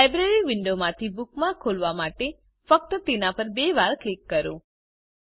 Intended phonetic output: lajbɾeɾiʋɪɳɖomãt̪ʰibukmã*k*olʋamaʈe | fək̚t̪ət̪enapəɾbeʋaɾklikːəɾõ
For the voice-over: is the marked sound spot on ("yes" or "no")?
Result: no